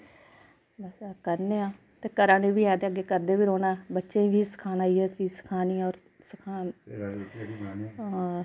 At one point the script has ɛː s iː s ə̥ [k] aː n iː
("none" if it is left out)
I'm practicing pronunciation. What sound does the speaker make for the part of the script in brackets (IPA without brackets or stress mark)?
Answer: kʰ